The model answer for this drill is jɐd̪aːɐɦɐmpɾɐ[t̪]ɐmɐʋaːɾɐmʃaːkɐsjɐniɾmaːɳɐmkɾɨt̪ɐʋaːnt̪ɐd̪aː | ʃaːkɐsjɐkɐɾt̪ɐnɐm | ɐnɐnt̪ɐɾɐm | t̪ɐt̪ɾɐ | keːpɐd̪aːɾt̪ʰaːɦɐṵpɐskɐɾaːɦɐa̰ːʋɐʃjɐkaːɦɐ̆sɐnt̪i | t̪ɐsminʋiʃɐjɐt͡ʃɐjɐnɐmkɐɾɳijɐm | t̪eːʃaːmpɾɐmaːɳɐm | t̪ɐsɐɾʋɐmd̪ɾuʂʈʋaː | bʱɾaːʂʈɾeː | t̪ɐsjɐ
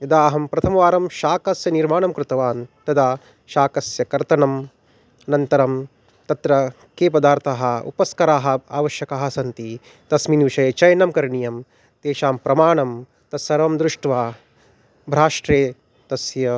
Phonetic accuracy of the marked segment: incorrect: t̪ʰ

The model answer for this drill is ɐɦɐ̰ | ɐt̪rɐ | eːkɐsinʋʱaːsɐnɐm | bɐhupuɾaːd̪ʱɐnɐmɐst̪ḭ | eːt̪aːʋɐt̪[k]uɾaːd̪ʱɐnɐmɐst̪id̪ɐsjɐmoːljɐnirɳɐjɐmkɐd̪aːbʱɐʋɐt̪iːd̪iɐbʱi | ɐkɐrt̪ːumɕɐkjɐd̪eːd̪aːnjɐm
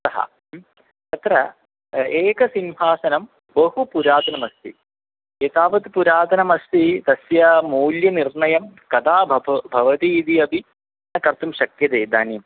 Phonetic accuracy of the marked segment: incorrect: p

